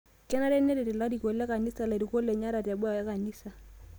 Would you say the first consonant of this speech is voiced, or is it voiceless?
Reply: voiceless